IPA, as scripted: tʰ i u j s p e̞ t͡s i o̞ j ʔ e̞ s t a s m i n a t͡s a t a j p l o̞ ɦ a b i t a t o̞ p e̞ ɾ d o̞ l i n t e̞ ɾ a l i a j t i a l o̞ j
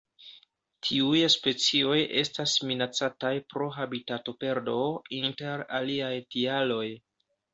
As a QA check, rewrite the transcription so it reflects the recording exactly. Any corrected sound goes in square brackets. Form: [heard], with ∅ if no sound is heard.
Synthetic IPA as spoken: tʰ i u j s p e̞ t͡s i o̞ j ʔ e̞ s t a s m i n a t͡s a t a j p [ɾ] o̞ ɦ a b i t a t o̞ p e̞ ɾ d o̞ [∅] i n t e̞ ɾ a l i a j t i a l o̞ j

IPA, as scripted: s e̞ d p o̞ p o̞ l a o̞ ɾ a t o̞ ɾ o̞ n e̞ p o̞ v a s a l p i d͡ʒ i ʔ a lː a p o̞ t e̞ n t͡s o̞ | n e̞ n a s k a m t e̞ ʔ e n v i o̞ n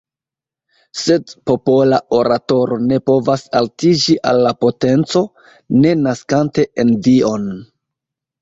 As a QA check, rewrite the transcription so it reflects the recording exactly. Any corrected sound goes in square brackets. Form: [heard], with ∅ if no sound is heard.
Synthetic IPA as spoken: s e̞ d p o̞ p o̞ l a o̞ ɾ a t o̞ ɾ o̞ n e̞ p o̞ v a s a l [t] i d͡ʒ i ʔ a lː a p o̞ t e̞ n t͡s o̞ | n e̞ n a s k a [n] t e̞ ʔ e n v i o̞ n

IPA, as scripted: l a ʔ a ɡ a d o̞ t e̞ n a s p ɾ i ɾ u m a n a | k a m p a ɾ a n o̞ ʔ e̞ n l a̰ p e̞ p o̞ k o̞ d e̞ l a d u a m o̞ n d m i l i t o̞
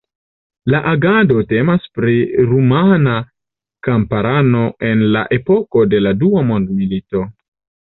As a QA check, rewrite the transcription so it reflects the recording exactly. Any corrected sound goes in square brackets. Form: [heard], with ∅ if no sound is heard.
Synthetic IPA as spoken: l a ʔ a ɡ a d o̞ t e̞ [m] a s p ɾ i ɾ u m a n a | k a m p a ɾ a n o̞ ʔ e̞ n l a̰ [ʔ] e̞ p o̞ k o̞ d e̞ l a d u a m o̞ n d m i l i t o̞

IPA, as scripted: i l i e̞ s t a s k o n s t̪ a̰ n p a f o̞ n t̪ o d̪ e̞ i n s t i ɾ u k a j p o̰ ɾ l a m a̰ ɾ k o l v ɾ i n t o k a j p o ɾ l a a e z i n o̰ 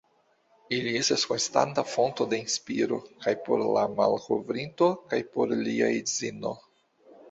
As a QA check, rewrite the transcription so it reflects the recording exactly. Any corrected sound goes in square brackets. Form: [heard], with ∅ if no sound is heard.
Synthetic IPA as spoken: i l i e̞ s t a s k o n s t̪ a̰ n [t] a f o̞ n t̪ o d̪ e̞ i n s [p] i ɾ [o] k a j p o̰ ɾ l a m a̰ [l] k o [∅] v ɾ i n t o k a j p o ɾ l [i] a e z i n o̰

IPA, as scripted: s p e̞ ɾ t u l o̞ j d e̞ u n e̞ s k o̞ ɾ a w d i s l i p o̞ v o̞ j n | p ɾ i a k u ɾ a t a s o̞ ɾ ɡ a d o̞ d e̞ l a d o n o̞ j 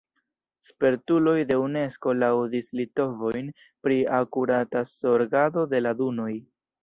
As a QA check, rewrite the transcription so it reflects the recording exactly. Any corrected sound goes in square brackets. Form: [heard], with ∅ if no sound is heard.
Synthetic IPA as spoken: s p e̞ ɾ t u l o̞ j d e̞ u n e̞ s k o̞ [l] a w d i s l i [t] o̞ v o̞ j n | p ɾ i a k u ɾ a t a s o̞ ɾ ɡ a d o̞ d e̞ l a d [u] n o̞ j

